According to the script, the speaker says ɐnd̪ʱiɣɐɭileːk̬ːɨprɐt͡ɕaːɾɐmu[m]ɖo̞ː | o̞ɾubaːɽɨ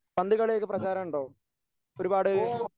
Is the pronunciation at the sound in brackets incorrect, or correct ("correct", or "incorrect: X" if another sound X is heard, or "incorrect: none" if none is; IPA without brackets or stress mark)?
incorrect: ɳ